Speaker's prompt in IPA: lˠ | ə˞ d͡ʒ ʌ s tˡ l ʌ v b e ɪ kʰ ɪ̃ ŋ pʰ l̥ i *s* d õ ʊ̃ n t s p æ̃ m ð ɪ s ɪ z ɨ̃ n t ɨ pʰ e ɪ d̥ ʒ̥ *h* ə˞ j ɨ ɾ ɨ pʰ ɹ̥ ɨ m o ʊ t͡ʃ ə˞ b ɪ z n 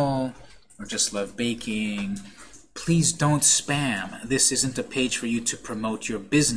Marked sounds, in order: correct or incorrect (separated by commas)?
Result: incorrect, incorrect